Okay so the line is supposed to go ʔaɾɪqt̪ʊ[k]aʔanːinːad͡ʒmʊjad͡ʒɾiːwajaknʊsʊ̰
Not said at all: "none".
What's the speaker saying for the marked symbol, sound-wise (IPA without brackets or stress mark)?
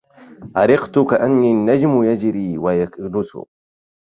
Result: k